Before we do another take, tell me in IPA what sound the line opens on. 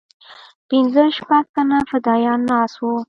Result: p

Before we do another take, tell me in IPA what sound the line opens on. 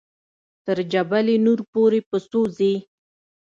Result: t̪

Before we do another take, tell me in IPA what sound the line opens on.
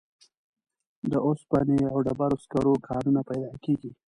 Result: d̪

